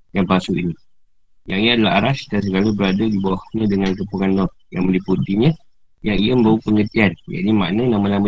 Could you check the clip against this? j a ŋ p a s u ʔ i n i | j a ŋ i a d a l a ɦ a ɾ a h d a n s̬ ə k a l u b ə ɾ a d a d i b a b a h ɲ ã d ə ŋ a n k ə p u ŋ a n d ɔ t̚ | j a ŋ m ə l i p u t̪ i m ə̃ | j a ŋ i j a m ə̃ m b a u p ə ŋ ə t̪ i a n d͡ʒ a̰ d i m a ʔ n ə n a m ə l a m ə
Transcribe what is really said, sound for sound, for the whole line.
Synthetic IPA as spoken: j a ŋ p a s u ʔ i n i | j a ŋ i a d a l a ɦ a ɾ a s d a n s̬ ə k a l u b ə ɾ a d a d i b a w a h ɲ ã d ə ŋ a n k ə p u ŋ a n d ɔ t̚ | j a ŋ m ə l i p u t̪ i ɲ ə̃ | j a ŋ i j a m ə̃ m b a u p ə ŋ ə t̪ i a n d͡ʒ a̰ d i m a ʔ n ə n a m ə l a m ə